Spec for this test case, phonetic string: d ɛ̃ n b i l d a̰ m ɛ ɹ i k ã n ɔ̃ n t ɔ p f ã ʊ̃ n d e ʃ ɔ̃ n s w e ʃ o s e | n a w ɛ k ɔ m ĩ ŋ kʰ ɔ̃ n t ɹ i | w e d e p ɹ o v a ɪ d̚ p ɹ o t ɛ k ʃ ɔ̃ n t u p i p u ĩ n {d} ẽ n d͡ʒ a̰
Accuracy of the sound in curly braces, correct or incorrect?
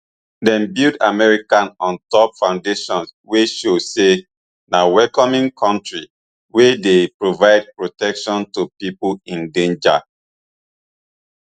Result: correct